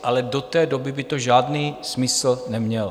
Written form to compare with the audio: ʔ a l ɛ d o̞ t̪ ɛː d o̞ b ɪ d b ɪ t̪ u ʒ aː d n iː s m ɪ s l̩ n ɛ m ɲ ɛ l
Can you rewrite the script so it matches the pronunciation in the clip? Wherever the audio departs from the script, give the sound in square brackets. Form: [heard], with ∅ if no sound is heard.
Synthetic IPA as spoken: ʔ a l ɛ d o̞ t̪ ɛː d o̞ b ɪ [∅] b ɪ t̪ [o] ʒ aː d n iː s m ɪ s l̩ n ɛ m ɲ ɛ l